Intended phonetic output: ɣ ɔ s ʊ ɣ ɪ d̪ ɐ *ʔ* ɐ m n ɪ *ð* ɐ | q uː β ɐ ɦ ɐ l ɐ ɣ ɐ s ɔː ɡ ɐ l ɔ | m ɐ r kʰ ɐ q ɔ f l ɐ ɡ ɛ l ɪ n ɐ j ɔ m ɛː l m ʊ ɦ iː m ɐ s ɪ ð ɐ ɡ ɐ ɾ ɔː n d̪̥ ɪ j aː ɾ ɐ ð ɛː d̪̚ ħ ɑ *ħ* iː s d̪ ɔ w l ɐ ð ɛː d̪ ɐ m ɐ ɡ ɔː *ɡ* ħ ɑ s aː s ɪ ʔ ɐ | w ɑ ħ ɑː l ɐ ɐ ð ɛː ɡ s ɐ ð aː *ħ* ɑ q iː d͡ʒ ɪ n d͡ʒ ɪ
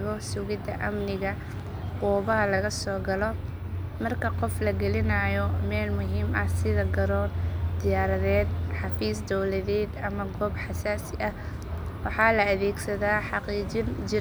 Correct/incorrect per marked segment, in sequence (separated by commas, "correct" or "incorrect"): correct, incorrect, incorrect, incorrect, correct